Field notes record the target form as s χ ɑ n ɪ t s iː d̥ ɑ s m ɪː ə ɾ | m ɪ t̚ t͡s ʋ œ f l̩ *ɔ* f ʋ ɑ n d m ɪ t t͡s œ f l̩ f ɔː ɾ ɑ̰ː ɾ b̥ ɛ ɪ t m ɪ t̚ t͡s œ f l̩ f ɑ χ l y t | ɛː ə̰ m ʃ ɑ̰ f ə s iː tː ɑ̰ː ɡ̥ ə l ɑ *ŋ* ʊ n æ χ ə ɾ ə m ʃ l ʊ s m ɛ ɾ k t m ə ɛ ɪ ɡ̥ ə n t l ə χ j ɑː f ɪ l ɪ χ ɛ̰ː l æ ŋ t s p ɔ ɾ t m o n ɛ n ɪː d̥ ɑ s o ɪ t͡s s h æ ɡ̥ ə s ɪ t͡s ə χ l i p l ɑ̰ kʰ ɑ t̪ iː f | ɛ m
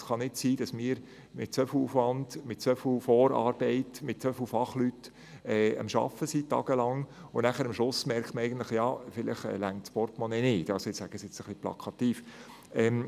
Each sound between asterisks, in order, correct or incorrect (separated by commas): incorrect, correct